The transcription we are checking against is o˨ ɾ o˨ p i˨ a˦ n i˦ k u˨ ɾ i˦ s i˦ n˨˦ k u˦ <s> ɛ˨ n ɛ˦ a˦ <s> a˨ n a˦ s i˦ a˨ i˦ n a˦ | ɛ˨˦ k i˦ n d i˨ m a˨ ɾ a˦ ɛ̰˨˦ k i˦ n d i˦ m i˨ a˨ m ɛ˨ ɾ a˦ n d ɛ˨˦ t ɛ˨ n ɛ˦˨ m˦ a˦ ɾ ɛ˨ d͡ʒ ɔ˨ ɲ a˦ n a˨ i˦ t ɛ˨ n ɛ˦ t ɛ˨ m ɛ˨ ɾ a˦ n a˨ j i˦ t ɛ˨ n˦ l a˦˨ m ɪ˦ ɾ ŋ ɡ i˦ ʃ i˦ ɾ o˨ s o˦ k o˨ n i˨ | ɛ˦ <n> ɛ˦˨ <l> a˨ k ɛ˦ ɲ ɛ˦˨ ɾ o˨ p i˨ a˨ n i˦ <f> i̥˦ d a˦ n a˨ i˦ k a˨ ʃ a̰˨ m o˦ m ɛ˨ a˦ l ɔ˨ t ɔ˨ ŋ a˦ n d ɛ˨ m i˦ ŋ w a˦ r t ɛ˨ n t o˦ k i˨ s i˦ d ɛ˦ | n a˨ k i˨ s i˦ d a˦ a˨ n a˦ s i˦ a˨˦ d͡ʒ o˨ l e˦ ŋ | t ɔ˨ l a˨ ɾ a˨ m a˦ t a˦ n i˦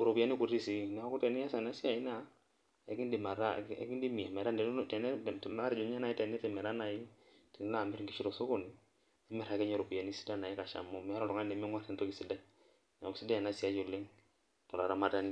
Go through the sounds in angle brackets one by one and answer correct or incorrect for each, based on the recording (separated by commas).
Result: incorrect, correct, incorrect, incorrect, incorrect